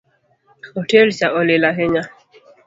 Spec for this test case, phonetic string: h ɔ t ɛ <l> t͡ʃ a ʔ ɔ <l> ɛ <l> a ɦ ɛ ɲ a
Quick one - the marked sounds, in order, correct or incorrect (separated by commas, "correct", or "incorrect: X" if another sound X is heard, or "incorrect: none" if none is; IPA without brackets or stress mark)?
correct, correct, correct